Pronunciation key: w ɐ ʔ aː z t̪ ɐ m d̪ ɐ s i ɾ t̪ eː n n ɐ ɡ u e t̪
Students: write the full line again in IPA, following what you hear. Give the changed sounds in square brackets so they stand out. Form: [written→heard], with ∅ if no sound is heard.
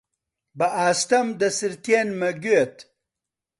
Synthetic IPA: [w→b] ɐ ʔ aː [z→s] t̪ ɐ m d̪ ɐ s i ɾ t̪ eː n [n→m] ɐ ɡ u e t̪